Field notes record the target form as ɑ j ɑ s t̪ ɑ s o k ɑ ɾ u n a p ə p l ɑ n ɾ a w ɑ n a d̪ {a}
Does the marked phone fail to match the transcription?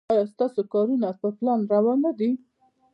yes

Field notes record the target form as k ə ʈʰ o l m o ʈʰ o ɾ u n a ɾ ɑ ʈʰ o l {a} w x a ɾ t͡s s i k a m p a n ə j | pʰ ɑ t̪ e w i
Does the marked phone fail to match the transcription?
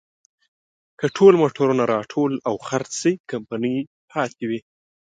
no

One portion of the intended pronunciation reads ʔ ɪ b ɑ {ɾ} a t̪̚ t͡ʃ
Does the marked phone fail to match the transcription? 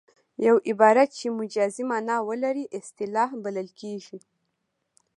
no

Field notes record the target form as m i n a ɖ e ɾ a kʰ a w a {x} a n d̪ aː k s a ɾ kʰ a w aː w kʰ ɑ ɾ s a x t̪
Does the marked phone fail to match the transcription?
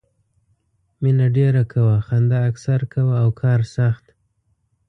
no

